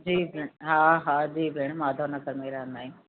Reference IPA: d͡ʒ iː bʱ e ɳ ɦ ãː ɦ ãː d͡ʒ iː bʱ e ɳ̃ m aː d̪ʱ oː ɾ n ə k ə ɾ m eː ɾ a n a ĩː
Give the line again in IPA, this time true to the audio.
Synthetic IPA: d͡ʒ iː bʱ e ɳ ɦ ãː ɦ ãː d͡ʒ iː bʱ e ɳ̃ m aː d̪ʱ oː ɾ n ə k ə ɾ m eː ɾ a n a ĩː